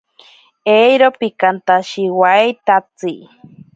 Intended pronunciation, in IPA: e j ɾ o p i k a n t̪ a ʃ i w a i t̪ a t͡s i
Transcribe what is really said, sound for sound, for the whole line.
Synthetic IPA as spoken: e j ɾ o p i k a n t̪ a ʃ i w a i t̪ a t͡s i